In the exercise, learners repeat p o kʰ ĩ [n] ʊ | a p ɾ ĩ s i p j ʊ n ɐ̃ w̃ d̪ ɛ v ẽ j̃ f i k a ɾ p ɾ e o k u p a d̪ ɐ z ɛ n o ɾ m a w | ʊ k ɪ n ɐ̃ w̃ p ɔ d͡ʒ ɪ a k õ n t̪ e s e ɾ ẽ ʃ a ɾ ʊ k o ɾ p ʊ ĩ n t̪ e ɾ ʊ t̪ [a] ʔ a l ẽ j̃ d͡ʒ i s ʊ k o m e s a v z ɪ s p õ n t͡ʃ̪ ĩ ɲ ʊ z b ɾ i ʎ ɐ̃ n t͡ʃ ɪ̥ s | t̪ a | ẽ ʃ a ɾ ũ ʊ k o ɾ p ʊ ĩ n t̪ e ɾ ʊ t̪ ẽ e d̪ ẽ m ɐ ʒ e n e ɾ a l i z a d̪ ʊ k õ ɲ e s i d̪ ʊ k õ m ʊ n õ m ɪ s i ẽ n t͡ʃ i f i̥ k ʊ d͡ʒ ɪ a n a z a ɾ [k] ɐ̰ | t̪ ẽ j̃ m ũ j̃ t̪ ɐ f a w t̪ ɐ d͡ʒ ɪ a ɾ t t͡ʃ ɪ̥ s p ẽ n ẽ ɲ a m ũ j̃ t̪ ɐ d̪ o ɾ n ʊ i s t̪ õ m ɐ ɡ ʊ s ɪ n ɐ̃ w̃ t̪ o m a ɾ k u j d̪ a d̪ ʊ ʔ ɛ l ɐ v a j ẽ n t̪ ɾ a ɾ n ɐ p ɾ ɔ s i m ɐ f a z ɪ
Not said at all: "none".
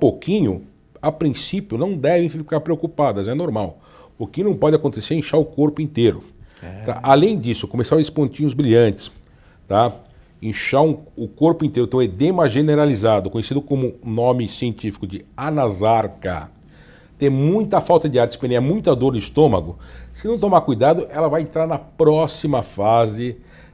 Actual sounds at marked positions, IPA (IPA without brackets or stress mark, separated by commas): ɲ, a, k